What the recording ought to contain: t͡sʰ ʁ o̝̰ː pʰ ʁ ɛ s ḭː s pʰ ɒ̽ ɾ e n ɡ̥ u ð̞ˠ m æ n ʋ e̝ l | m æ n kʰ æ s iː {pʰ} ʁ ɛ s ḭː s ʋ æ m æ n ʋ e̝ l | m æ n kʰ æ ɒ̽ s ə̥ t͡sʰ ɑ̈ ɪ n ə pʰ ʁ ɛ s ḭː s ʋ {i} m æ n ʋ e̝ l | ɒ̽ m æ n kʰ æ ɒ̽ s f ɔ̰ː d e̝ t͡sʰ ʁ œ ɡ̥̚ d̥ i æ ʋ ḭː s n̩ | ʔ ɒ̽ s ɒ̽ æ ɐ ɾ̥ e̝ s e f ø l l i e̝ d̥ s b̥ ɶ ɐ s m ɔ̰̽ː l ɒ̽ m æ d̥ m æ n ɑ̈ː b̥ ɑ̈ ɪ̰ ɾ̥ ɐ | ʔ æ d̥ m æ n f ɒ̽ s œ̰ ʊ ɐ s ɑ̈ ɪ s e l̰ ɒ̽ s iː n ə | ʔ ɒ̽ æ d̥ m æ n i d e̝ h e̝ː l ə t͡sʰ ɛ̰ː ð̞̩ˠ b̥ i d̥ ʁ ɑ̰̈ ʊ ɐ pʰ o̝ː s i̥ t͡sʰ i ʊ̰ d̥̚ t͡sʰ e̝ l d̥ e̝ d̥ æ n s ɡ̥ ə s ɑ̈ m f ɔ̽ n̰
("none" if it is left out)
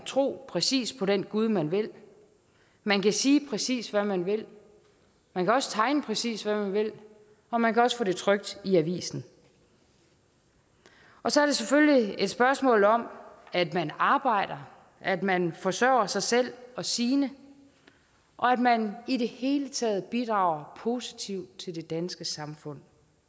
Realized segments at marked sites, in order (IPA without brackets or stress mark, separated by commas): pʰ, æ